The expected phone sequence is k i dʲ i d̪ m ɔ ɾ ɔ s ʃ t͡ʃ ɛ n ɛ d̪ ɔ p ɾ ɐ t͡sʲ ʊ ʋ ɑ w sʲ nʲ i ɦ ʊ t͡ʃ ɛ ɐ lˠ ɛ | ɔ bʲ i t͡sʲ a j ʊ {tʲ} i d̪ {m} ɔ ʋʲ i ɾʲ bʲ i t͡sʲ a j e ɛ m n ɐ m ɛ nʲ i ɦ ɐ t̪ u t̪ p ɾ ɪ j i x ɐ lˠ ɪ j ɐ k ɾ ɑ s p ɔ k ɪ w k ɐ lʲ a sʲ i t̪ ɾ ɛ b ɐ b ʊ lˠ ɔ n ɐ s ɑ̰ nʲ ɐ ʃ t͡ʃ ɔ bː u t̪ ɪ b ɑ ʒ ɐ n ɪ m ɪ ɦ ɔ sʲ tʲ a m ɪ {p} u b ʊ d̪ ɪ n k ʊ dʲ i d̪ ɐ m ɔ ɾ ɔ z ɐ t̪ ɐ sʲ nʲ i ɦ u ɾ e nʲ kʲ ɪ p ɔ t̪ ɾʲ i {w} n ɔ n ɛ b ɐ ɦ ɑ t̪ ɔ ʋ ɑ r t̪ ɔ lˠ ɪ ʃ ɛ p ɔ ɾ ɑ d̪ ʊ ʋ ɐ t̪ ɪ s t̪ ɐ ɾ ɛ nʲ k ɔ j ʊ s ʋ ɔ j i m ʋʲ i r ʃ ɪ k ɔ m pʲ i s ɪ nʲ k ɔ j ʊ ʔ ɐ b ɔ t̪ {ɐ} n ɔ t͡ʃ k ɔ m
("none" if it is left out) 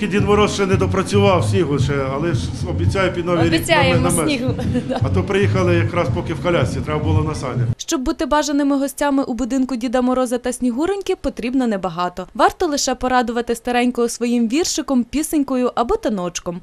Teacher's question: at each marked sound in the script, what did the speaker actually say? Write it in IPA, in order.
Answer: pʲ, n, ʔ, b, ɐ

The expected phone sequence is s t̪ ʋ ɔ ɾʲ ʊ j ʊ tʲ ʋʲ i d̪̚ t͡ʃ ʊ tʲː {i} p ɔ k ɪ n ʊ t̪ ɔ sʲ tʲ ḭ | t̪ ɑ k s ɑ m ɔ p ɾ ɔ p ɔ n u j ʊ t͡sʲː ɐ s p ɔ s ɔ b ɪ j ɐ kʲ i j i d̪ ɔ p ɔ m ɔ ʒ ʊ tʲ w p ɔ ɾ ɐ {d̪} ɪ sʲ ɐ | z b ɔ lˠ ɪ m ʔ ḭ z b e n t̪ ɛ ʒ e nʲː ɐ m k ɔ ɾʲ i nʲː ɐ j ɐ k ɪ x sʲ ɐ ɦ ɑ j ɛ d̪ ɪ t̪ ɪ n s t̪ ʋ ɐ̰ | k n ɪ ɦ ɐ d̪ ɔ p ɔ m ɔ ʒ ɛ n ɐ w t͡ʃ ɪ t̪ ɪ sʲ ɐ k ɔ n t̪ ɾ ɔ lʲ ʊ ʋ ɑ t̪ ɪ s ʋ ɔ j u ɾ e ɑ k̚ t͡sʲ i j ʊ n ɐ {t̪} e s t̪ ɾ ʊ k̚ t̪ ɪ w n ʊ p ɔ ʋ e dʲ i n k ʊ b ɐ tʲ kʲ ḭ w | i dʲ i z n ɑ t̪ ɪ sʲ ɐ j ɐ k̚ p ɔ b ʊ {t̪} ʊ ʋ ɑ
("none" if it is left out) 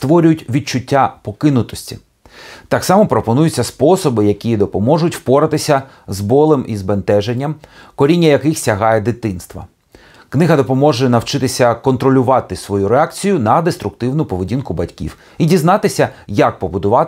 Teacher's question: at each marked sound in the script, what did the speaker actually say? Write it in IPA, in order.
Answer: a, t̪, d̪, d̪

